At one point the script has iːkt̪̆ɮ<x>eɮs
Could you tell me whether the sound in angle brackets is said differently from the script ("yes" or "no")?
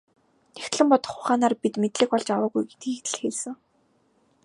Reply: no